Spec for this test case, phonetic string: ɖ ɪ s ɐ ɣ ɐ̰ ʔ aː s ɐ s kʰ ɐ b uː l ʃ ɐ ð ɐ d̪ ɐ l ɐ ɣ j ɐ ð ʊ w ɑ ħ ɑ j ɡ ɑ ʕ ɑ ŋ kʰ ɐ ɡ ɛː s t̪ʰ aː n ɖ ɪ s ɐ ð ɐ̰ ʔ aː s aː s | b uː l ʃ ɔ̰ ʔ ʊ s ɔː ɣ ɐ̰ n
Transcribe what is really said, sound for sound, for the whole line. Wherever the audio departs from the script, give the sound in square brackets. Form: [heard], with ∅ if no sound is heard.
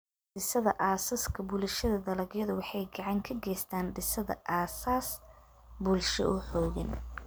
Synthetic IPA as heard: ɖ ɪ s ɐ [ð] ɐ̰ ʔ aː s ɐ s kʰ ɐ b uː l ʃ ɐ ð ɐ d̪ ɐ l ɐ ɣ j ɐ ð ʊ w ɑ ħ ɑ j ɡ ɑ ʕ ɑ ŋ kʰ ɐ ɡ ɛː s t̪ʰ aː n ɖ ɪ s ɐ ð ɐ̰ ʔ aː s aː s | b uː l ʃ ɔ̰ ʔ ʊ [ħ] ɔː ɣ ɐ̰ n